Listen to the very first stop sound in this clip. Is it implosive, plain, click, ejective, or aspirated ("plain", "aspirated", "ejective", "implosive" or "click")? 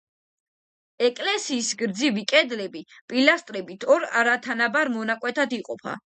ejective